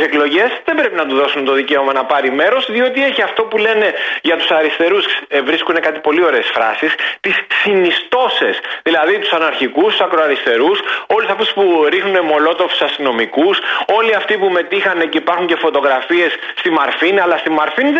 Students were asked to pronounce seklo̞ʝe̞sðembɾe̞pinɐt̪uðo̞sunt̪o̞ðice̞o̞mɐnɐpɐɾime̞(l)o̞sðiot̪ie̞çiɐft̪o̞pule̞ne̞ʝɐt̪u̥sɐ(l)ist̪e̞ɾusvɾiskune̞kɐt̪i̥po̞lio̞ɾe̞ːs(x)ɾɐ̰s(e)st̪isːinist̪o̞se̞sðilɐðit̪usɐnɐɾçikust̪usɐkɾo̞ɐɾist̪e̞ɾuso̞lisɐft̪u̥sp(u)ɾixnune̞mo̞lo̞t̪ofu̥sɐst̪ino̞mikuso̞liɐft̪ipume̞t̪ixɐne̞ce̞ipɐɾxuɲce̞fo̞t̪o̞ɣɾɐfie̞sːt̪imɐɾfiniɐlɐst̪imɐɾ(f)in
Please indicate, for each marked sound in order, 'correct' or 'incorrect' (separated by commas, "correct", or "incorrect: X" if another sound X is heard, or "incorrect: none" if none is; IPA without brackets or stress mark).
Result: incorrect: ɾ, incorrect: ɾ, incorrect: f, incorrect: i, correct, correct